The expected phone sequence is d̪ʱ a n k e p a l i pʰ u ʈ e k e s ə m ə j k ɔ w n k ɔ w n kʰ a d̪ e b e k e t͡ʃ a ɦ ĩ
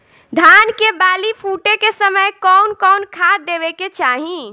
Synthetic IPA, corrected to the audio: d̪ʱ a n k e b a l i pʰ u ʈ e k e s ə m ə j k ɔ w n k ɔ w n kʰ a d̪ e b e k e t͡ʃ a ɦ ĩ